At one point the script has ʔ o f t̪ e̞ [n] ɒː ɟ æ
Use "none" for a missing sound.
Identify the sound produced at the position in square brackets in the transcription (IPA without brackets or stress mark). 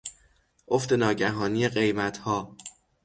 n